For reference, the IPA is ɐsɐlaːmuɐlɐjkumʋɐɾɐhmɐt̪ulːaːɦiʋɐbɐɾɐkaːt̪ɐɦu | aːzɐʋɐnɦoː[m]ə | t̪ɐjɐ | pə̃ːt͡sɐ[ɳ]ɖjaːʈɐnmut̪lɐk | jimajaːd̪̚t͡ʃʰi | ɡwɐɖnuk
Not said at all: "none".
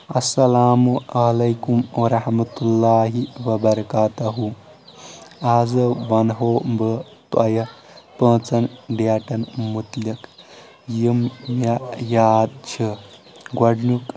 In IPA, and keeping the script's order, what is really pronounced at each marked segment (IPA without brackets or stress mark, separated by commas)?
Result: b, n